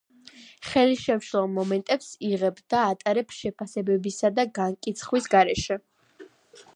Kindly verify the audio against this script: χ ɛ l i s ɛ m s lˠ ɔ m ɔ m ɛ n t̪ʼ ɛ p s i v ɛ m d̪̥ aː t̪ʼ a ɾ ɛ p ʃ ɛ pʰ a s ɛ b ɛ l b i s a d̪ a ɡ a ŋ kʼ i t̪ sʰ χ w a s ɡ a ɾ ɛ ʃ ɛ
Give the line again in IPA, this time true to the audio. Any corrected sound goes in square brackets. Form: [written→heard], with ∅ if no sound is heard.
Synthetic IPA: χ ɛ l i [s→ʃ] ɛ m [s→ʃ] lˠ ɔ m ɔ m ɛ n t̪ʼ ɛ p s i [v→ʁ] ɛ [m→b] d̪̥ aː t̪ʼ a ɾ ɛ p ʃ ɛ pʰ a s ɛ b ɛ [l→∅] b i s a d̪ a ɡ a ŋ kʼ i t̪ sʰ χ w [a→i] s ɡ a ɾ ɛ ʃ ɛ